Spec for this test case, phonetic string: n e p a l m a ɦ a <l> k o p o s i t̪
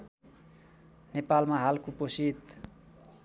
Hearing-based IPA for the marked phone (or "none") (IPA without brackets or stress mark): l